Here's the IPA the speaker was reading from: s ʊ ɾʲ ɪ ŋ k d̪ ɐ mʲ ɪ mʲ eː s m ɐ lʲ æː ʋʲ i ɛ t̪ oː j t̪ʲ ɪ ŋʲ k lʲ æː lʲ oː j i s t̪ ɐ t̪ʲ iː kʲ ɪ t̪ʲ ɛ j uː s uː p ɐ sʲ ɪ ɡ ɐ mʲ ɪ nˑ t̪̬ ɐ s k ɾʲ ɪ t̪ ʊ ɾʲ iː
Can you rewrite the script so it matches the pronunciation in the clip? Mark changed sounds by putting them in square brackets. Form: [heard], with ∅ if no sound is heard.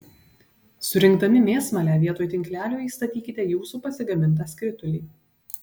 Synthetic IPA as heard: s ʊ ɾʲ ɪ ŋ k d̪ ɐ mʲ ɪ mʲ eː s m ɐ lʲ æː ʋʲ i ɛ t̪ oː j t̪ʲ ɪ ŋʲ k lʲ æː lʲ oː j i s t̪ ɐ t̪ʲ iː kʲ ɪ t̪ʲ ɛ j uː s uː p ɐ sʲ ɪ ɡ ɐ mʲ ɪ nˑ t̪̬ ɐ s k ɾʲ ɪ t̪ ʊ [lʲ] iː